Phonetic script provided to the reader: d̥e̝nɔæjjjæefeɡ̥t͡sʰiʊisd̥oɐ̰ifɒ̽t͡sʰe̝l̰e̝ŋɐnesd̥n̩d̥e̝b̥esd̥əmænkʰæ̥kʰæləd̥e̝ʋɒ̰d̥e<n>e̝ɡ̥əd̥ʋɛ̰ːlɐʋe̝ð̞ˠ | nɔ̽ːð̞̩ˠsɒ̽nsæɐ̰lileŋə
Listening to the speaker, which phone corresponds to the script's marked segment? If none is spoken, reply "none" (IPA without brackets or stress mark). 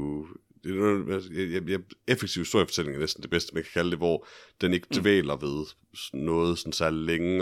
n